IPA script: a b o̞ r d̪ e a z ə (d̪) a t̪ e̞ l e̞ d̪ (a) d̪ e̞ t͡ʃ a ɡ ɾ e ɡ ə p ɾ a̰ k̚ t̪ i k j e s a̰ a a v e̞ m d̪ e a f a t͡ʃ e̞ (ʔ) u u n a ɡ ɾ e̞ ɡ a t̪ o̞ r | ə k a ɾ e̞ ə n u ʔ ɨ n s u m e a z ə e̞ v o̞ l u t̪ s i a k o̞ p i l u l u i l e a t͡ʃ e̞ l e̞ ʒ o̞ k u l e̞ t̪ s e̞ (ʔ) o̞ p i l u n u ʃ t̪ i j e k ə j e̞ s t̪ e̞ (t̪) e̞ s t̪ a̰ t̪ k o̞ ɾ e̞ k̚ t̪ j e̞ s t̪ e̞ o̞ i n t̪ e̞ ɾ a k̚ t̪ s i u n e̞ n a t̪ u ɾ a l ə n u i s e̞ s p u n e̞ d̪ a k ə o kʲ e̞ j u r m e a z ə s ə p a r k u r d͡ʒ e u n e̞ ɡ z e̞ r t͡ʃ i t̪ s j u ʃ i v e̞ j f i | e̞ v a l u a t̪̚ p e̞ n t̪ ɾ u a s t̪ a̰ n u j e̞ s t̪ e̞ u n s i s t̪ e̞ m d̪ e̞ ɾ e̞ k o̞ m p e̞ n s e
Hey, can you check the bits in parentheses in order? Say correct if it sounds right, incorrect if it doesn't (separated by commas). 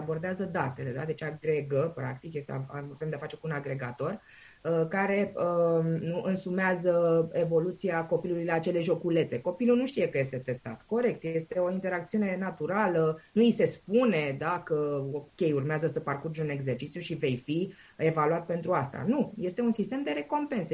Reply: correct, correct, incorrect, incorrect, correct